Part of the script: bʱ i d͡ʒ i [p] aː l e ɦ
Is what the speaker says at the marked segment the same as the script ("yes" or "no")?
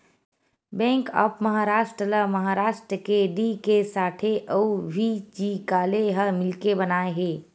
no